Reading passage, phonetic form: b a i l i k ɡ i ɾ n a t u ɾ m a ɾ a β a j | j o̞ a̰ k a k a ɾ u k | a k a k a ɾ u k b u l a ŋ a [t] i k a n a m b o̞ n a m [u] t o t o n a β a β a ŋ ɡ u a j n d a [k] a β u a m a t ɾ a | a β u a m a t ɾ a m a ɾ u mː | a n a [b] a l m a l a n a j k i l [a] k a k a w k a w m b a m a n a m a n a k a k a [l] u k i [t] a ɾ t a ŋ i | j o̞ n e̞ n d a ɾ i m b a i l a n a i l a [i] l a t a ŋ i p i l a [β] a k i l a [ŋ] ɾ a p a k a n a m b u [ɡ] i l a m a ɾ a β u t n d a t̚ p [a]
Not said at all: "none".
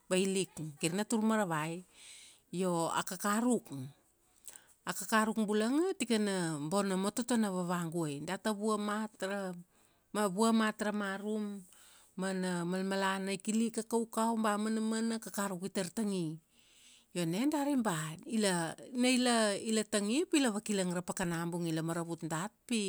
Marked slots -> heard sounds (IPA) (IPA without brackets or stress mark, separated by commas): t, o, t, m, i, ɾ, t, i, β, ŋ, ŋ, i